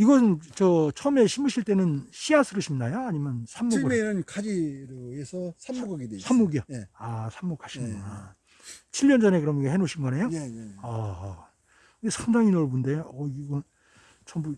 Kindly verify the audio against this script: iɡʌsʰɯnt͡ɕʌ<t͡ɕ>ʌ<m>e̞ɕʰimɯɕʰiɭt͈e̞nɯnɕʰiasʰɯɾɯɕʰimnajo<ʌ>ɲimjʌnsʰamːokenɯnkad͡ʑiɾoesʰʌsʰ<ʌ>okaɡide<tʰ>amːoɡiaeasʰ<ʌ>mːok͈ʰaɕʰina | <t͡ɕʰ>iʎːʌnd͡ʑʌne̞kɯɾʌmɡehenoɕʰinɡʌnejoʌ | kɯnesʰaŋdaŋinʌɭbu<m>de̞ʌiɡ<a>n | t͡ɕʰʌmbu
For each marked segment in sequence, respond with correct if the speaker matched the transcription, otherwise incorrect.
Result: incorrect: t͡ɕʰ, correct, incorrect: a, incorrect: a, incorrect: sʰ, incorrect: a, correct, incorrect: n, incorrect: ʌ

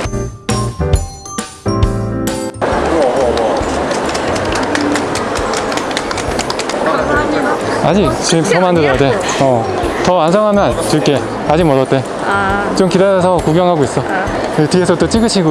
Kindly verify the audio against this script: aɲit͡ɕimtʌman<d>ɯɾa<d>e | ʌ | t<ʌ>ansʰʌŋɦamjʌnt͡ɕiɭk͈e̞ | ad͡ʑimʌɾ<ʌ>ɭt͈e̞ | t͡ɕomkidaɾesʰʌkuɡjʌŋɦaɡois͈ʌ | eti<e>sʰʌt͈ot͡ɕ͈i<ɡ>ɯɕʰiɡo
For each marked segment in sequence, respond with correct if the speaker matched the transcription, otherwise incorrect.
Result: correct, correct, correct, correct, correct, correct

